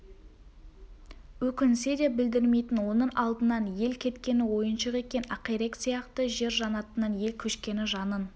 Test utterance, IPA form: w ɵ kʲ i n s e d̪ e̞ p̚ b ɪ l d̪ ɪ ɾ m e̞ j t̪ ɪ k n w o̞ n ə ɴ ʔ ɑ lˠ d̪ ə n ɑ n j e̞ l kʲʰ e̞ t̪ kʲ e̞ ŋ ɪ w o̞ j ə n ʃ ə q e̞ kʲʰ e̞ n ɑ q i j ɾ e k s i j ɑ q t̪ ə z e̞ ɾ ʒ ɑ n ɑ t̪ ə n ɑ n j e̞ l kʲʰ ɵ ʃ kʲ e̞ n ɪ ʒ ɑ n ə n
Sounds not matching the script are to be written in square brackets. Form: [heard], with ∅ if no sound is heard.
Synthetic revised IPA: w ɵ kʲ [ɪ] n s e d̪ e̞ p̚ b ɪ l d̪ ɪ ɾ m e̞ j t̪ ɪ [∅] n w o̞ n ə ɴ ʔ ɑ lˠ d̪ ə n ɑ n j e̞ l kʲʰ e̞ t̪ kʲ e̞ [n] ɪ w o̞ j ə n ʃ ə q e̞ [kʲ] e̞ n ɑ q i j ɾ e k s i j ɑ q t̪ ə [ʒ] e̞ ɾ ʒ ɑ n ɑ t̪ ə n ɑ n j e̞ l kʲʰ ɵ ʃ kʲ e̞ n ɪ ʒ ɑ n ə n

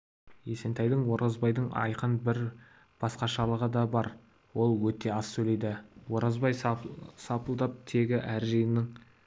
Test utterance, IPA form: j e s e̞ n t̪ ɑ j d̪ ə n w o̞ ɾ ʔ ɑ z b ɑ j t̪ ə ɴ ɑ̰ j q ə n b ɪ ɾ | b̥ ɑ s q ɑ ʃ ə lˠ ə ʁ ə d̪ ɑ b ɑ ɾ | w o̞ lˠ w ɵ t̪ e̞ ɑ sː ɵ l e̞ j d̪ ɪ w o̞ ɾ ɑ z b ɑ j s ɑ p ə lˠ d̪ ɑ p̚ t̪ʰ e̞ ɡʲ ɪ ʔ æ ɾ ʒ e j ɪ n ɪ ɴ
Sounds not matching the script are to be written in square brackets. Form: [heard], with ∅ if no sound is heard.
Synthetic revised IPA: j e s e̞ n t̪ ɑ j d̪ ə [ɴ] w o̞ ɾ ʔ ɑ z b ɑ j [d̪] ə ɴ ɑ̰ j q ə n b ɪ ɾ | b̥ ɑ s q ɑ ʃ [ɑ] lˠ ə ʁ ə d̪ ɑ b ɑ ɾ | w o̞ lˠ w ɵ t̪ e̞ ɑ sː ɵ l e̞ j d̪ ɪ w o̞ ɾ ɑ z b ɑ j s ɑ p ə lˠ d̪ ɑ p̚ t̪ʰ e̞ ɡʲ ɪ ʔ æ ɾ ʒ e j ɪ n ɪ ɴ

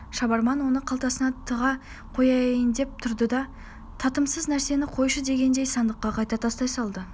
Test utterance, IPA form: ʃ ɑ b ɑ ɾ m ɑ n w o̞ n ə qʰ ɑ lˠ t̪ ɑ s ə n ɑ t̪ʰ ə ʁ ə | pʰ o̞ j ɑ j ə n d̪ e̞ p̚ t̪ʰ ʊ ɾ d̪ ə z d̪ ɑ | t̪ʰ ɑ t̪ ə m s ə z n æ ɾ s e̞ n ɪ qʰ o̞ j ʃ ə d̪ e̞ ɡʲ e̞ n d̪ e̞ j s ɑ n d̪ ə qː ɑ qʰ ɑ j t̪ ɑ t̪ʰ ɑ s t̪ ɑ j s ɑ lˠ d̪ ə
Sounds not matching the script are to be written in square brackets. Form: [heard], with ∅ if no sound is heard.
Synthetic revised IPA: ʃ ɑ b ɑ ɾ m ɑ n w o̞ n ə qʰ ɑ lˠ t̪ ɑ s ə n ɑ t̪ʰ ə ʁ [ɑ] | [qʰ] o̞ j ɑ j ə n d̪ e̞ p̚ t̪ʰ ʊ ɾ d̪ ə [∅] d̪ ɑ | t̪ʰ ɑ t̪ ə m s ə z n æ ɾ s e̞ n ɪ qʰ o̞ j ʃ ə d̪ e̞ ɡʲ e̞ n d̪ e̞ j s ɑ n d̪ ə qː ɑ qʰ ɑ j t̪ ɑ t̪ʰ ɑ s t̪ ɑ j s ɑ lˠ d̪ ə

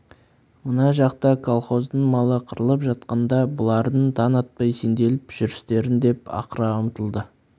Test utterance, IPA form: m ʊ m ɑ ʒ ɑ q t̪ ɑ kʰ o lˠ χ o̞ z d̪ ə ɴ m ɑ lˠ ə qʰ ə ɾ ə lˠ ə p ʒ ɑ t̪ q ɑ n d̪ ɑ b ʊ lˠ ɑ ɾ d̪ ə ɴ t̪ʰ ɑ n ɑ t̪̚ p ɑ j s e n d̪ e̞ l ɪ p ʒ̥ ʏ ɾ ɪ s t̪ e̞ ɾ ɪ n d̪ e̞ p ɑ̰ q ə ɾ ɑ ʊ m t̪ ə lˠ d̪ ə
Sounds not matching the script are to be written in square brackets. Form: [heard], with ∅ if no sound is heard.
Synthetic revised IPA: m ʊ [n] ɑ ʒ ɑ q t̪ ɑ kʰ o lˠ χ o̞ z d̪ ə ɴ m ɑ lˠ ə qʰ ə ɾ ə lˠ ə p ʒ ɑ t̪ q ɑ n d̪ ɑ b ʊ lˠ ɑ ɾ d̪ ə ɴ t̪ʰ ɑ n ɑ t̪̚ p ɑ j s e n d̪ e̞ l ɪ p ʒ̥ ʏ ɾ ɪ s t̪ e̞ ɾ ɪ n d̪ e̞ p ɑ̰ q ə ɾ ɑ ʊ m t̪ ə lˠ d̪ ə

